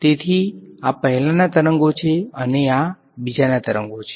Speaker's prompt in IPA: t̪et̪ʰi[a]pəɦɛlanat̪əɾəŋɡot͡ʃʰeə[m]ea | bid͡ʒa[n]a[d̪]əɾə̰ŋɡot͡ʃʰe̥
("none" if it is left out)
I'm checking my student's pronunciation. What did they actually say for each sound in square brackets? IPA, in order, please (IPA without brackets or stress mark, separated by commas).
a, n, n, t̪